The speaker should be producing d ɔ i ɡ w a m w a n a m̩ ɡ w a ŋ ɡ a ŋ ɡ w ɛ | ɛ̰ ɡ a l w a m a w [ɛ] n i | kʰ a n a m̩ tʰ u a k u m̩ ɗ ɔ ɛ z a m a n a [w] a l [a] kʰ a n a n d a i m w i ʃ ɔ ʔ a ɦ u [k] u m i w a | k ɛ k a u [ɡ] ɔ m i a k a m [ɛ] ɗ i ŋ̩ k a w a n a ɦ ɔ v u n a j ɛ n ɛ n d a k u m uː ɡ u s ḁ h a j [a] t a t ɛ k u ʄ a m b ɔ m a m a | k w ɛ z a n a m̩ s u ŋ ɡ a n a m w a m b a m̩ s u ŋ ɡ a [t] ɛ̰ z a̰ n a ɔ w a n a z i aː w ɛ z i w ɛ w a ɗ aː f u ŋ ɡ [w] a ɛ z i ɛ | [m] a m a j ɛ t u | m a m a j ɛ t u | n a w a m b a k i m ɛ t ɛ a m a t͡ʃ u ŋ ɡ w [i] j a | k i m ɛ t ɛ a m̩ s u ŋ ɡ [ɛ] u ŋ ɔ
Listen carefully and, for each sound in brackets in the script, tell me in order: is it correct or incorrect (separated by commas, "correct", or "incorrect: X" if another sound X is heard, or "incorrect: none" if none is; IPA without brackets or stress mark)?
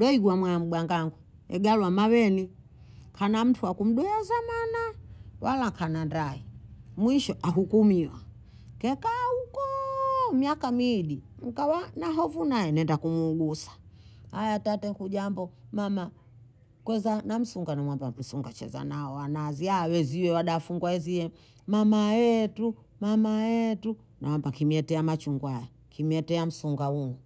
correct, correct, correct, correct, incorrect: k, incorrect: i, correct, incorrect: t͡ʃ, correct, correct, incorrect: a, incorrect: a